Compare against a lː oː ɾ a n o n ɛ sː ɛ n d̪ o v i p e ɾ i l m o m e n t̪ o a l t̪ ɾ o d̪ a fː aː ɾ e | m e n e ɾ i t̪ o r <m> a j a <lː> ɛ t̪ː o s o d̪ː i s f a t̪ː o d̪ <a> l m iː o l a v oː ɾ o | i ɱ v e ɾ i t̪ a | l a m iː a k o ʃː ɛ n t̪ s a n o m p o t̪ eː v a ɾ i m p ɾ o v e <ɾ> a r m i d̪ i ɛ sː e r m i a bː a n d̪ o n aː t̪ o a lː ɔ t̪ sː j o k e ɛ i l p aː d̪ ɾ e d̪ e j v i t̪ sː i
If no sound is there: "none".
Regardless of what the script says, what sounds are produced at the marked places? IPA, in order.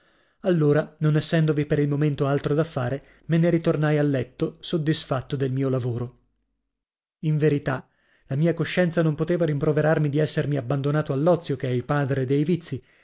n, lː, e, ɾ

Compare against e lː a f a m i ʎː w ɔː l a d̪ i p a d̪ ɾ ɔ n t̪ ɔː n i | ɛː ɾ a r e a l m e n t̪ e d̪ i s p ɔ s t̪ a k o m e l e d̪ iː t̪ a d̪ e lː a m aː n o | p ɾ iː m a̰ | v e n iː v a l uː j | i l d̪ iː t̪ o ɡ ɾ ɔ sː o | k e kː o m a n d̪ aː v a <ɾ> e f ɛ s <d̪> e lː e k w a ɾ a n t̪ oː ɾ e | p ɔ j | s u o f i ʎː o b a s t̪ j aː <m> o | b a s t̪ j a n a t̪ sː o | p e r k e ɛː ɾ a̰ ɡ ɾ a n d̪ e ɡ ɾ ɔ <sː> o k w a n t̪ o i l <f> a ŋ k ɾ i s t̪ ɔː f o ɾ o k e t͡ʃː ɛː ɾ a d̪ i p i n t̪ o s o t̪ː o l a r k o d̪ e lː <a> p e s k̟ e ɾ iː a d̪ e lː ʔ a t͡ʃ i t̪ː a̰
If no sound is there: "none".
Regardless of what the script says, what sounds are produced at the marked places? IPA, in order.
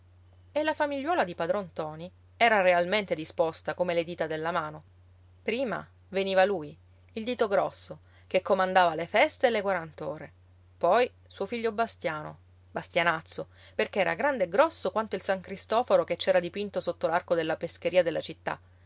l, t̪, n, sː, s, a

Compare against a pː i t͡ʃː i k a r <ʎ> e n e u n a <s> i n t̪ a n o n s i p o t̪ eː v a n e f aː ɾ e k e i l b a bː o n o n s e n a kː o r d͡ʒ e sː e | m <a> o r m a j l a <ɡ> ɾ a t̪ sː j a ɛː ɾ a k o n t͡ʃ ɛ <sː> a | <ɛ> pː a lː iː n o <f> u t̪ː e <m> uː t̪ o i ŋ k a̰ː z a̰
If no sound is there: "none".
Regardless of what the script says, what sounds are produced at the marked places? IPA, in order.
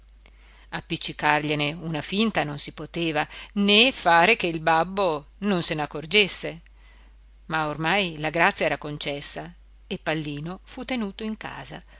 ʎ, f, a, ɡ, sː, e, f, n

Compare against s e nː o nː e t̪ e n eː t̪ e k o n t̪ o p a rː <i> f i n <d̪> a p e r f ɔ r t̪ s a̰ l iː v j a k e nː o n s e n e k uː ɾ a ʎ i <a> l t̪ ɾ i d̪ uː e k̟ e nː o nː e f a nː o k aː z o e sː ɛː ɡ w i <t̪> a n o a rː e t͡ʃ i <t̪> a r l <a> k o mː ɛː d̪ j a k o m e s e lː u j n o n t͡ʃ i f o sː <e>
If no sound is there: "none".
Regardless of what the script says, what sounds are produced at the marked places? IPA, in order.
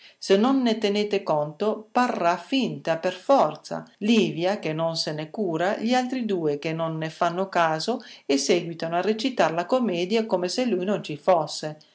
a, t̪, a, t̪, t̪, a, e

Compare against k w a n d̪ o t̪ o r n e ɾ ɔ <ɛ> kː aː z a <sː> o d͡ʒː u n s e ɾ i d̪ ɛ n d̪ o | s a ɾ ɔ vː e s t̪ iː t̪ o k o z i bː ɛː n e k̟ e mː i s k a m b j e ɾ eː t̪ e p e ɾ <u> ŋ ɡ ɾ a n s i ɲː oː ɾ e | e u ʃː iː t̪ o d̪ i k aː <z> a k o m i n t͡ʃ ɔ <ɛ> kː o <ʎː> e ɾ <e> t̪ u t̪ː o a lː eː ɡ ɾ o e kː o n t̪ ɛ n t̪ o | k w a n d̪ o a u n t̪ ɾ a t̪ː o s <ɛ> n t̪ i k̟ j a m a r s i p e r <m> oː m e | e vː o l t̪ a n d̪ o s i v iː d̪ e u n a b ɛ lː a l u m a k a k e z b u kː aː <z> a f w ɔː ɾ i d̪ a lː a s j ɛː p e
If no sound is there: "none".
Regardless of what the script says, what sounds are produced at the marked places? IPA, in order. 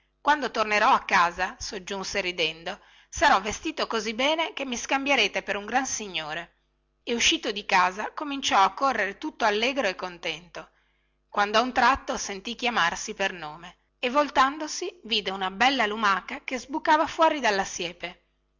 a, s, u, z, a, rː, e, e, n, v

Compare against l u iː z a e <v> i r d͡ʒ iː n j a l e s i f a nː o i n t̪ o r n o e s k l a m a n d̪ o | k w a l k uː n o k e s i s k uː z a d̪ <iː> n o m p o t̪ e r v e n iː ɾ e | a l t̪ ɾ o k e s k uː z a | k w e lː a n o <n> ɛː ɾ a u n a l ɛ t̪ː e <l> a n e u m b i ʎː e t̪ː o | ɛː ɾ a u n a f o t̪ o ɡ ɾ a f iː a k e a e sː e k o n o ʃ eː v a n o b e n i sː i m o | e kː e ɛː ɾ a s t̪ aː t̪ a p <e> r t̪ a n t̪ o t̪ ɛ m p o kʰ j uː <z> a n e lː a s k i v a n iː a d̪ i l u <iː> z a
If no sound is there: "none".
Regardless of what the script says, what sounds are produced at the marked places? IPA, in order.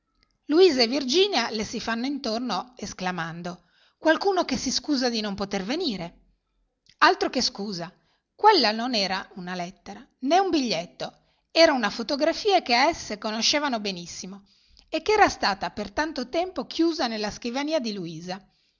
v, i, n, ɾ, e, z, iː

